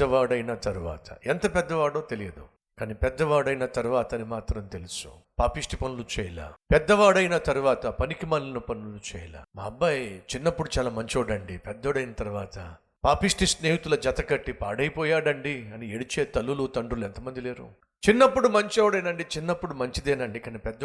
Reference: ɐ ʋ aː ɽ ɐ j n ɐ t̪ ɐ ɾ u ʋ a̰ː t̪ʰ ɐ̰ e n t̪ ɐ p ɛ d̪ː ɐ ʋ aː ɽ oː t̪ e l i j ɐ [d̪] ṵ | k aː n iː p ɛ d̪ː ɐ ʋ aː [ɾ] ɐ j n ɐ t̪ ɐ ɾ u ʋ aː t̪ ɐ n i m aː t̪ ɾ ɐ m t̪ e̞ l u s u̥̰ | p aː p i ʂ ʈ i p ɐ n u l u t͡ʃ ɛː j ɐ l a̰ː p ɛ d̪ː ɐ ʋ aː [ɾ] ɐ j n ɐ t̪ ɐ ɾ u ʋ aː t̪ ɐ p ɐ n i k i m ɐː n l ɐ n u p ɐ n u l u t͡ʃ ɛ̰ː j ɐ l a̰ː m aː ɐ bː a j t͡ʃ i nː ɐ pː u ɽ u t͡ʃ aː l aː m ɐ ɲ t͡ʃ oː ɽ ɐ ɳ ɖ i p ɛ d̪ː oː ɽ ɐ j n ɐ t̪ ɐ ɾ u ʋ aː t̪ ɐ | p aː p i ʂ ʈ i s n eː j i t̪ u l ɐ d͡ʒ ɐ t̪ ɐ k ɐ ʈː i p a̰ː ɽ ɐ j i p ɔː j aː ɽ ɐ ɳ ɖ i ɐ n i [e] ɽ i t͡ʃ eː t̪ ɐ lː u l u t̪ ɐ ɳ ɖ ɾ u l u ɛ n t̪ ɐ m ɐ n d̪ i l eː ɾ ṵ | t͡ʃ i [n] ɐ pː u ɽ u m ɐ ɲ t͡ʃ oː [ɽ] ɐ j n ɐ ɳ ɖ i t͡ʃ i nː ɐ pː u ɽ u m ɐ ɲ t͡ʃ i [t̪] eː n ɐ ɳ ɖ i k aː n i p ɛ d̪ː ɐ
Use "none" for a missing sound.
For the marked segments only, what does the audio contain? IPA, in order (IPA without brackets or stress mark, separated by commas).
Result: d̪, ɽ, ɽ, e, nː, ɽ, d̪